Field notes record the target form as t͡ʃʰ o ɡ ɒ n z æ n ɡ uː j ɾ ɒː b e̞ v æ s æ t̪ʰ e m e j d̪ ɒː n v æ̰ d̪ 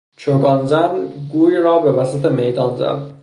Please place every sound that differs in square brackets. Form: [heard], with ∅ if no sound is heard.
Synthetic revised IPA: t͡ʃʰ o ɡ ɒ n z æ n ɡ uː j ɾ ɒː b e̞ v æ s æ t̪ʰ e m e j d̪ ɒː n [z] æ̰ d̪